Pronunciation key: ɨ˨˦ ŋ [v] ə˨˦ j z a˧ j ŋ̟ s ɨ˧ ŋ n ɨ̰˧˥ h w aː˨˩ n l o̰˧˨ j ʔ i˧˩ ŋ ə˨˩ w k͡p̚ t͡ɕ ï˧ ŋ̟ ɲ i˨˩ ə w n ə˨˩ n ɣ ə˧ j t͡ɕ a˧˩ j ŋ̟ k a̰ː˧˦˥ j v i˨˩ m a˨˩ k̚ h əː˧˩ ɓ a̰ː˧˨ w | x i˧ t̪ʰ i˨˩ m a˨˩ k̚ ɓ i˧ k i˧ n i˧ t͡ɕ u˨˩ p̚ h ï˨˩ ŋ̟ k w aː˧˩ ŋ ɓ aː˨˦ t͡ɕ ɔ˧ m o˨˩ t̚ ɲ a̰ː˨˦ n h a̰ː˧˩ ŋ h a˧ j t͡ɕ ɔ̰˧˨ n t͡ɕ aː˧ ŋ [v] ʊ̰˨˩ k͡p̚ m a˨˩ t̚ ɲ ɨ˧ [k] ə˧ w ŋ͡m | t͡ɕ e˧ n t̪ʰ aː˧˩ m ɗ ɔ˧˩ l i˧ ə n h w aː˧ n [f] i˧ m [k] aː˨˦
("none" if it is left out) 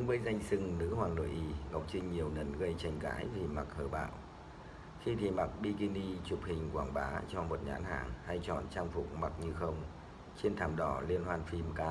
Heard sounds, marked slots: v, f, x, f, k

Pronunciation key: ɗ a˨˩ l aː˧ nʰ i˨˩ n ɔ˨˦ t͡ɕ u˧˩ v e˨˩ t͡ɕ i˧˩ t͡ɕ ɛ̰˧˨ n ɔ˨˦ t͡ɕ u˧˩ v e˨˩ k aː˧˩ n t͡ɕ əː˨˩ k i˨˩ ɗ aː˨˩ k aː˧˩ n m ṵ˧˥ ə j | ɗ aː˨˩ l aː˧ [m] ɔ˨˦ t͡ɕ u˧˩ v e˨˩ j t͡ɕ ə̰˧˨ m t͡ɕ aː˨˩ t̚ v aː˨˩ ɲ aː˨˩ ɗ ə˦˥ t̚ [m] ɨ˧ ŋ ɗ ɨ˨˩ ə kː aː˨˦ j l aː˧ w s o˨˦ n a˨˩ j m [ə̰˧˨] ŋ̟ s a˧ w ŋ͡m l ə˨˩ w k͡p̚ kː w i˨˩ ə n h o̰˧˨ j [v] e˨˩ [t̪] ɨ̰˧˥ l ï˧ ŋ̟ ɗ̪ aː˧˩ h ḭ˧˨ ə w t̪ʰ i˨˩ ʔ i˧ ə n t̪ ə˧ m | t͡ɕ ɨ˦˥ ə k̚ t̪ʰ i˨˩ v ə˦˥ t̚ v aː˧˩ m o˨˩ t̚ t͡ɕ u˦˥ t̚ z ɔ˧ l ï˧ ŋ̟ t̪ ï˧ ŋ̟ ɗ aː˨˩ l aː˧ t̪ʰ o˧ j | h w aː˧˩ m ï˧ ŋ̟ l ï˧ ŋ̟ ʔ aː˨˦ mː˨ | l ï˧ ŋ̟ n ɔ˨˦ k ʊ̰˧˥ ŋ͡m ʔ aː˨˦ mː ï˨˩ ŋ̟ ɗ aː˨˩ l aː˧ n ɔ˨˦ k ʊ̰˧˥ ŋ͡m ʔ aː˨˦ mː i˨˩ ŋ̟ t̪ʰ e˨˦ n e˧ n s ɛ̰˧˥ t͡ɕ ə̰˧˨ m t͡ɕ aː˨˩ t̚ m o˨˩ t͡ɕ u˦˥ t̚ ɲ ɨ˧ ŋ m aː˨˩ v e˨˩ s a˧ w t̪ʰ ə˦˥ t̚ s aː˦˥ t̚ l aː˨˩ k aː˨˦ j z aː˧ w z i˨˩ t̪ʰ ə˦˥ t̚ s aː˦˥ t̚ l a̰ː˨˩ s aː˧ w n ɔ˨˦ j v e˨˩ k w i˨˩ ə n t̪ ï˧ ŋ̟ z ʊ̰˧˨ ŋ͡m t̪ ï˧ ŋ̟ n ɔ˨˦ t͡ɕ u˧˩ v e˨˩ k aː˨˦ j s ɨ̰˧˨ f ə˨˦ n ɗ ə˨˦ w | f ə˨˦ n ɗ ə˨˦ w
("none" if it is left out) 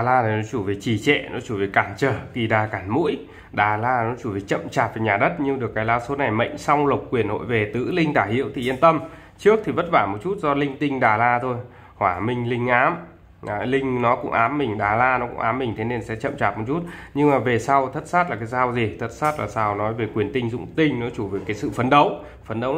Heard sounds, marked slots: n, ɲ, ə̰˧˨, v, t̪

